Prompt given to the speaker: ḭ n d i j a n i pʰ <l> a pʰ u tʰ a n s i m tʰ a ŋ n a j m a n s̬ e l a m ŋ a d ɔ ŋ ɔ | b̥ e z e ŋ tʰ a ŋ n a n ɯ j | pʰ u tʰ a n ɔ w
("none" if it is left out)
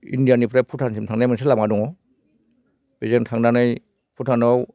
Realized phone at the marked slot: ɾ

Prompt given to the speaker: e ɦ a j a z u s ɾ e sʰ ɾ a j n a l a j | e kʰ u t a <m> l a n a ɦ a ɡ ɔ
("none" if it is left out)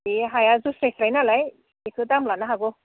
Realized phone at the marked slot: m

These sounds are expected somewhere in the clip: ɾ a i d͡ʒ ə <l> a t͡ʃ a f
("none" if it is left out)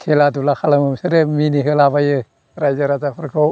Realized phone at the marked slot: ɾ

